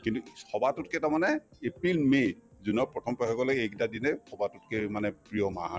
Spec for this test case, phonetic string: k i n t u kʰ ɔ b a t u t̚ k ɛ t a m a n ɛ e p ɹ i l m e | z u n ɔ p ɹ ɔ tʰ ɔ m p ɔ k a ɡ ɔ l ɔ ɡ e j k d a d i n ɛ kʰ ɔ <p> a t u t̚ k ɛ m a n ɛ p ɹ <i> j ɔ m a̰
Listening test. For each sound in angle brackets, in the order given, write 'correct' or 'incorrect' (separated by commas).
incorrect, correct